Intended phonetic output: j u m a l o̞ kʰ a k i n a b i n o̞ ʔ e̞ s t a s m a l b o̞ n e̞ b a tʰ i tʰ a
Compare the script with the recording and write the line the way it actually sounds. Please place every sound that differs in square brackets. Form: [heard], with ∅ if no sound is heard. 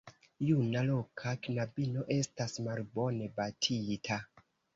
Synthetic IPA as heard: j u [n] a l o̞ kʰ a k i n a b i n o̞ ʔ e̞ s t a s m a l b o̞ n e̞ b a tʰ i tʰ a

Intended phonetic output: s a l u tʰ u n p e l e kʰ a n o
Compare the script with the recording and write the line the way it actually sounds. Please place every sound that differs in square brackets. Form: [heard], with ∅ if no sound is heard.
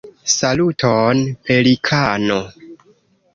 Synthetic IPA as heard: s a l u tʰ [o] n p e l [i] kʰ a n o

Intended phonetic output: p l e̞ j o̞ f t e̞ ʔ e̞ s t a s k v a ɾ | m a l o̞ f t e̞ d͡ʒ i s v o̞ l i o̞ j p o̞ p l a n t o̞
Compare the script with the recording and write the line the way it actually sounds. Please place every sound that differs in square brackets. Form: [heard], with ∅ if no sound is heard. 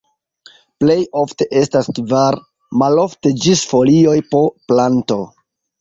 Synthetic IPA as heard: p l e̞ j o̞ f t e̞ ʔ e̞ s t a s k v a ɾ | m a l o̞ f t e̞ d͡ʒ i s [f] o̞ l i o̞ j p o̞ p l a n t o̞

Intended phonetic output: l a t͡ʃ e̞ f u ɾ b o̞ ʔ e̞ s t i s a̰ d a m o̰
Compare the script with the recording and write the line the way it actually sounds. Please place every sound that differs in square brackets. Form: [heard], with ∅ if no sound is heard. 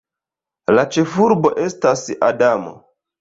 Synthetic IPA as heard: l a t͡ʃ e̞ f u ɾ b o̞ ʔ e̞ s t [a] s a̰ d a m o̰

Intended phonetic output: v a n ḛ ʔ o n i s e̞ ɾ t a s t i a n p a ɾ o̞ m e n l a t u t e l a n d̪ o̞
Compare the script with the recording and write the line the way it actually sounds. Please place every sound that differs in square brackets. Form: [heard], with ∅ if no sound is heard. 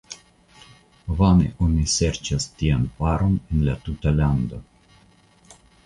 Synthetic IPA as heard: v a n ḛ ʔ o n i s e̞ ɾ [t͡ʃ] a s t i a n p a ɾ o̞ [n] e n l a t u t [a] l a n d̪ o̞

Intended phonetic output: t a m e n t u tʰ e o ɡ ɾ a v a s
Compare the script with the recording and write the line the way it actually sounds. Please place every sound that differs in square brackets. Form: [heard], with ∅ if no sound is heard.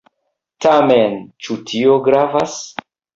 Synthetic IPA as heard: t a m e n [t͡ʃ] u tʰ [i] o ɡ ɾ a v a s

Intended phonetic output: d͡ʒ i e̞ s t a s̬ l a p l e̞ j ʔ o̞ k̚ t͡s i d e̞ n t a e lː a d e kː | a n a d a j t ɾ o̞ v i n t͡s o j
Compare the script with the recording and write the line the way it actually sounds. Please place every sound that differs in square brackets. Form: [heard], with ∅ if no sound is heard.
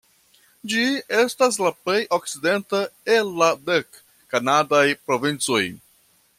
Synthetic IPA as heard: d͡ʒ i e̞ s t a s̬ l a p l e̞ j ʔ o̞ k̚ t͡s i d e̞ n t a e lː a d e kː | a n a d a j [p] ɾ o̞ v i n t͡s o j

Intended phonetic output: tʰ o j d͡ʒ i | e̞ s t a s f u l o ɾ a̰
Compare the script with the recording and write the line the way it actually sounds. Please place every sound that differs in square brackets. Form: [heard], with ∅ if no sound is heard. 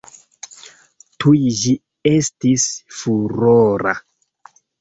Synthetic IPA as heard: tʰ [u] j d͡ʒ i | e̞ s t [i] s f u [ɾ] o ɾ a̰

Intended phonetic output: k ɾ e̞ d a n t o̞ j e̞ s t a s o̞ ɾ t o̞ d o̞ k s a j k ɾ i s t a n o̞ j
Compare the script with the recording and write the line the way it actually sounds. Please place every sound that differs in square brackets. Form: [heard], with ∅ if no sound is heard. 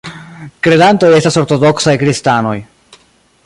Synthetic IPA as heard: k ɾ e̞ d a n t o̞ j e̞ s t a s o̞ ɾ t o̞ d o̞ k s a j k ɾ i s t a n o̞ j

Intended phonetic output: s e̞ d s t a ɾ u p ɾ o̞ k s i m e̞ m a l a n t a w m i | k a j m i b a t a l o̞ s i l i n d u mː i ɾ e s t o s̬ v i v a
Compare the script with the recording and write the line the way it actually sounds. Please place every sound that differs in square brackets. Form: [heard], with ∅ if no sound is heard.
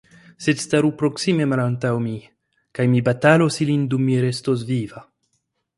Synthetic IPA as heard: s e̞ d s t a ɾ u p ɾ o̞ k s i m e̞ m a l a n t a w m i | k a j m i b a t a l o̞ s i l i n d u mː i ɾ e s t o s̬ v i v a

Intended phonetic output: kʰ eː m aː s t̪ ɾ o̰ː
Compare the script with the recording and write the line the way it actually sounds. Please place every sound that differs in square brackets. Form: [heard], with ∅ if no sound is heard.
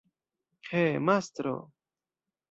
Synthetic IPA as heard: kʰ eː m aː s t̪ ɾ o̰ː

